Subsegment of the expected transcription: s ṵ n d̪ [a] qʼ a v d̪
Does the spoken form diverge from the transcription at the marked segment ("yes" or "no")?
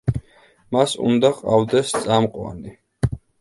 no